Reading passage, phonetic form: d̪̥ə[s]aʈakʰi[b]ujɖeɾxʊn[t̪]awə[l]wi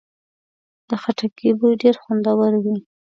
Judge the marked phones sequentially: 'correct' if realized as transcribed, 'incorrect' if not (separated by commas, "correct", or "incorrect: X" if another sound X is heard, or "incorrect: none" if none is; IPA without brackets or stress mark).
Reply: incorrect: x, correct, incorrect: d̪, incorrect: ɾ